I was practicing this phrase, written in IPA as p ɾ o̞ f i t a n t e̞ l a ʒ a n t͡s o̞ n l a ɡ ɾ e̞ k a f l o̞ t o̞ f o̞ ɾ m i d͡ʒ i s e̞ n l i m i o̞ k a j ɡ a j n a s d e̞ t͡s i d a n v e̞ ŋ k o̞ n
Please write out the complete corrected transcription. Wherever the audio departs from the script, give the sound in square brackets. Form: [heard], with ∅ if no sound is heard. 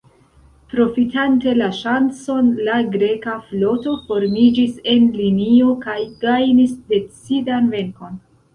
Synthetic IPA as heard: p ɾ o̞ f i t a n t e̞ l a [ʃ] a n t͡s o̞ n l a ɡ ɾ e̞ k a f l o̞ t o̞ f o̞ ɾ m i d͡ʒ i s e̞ n l i [n] i o̞ k a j ɡ a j n [i] s d e̞ t͡s i d a n v e̞ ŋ k o̞ n